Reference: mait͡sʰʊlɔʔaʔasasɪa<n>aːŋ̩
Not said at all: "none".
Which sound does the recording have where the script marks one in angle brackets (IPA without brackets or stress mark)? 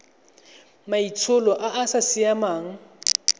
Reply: m